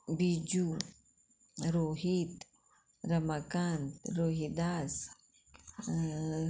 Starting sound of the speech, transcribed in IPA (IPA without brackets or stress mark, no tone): b